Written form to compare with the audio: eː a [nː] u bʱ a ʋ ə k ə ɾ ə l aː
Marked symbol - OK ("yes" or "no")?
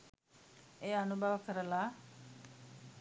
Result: no